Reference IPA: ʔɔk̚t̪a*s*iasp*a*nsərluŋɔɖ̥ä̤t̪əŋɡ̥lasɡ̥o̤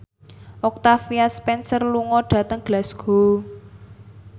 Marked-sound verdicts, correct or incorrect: incorrect, incorrect

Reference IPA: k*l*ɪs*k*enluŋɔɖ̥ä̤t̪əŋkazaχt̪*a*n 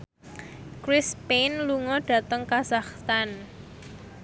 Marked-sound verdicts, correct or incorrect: incorrect, incorrect, correct

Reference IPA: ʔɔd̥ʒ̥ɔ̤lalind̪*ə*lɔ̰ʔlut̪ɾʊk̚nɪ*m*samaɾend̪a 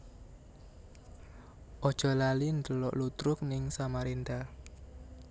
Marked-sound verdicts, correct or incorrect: correct, incorrect

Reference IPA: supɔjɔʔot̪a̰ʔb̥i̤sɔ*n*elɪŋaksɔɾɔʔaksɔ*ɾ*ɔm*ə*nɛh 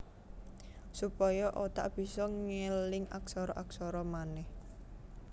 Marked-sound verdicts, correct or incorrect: incorrect, correct, incorrect

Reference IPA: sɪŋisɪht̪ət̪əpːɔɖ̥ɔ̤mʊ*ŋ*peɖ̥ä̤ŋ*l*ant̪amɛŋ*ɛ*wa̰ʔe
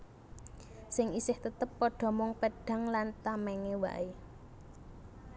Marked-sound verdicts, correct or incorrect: correct, correct, incorrect

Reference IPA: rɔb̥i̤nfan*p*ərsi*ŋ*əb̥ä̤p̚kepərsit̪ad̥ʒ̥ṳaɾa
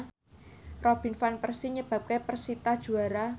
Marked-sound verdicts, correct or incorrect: correct, incorrect

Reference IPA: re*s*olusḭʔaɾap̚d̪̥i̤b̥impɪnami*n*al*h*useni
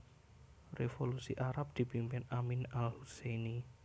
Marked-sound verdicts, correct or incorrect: incorrect, correct, correct

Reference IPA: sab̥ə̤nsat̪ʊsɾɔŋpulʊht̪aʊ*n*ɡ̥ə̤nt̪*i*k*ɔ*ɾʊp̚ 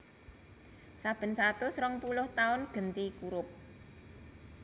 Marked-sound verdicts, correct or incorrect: correct, correct, incorrect

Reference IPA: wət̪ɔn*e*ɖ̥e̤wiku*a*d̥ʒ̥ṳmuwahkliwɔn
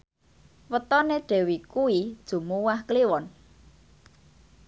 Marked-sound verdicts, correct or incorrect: correct, incorrect

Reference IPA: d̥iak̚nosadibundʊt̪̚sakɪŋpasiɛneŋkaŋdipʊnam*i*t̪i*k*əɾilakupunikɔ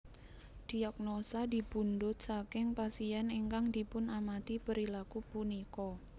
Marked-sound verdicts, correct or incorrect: incorrect, incorrect

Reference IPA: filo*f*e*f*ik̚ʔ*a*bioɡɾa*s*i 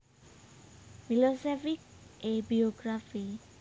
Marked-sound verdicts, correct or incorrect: incorrect, correct, incorrect, incorrect

